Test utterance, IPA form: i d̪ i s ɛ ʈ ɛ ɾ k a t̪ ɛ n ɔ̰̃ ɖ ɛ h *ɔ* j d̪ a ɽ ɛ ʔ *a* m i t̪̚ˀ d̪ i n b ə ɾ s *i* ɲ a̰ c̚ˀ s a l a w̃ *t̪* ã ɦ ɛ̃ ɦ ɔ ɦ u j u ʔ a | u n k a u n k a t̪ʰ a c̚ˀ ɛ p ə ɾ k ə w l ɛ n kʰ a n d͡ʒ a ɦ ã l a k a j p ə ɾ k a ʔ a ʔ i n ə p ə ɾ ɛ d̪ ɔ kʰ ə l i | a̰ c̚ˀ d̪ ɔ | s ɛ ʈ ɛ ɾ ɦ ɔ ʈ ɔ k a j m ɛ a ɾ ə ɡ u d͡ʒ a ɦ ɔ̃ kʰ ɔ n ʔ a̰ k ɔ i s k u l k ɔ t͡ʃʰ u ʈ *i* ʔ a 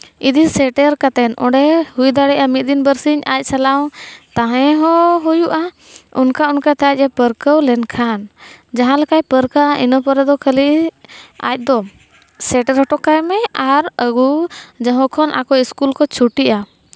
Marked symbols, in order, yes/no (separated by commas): no, yes, yes, yes, yes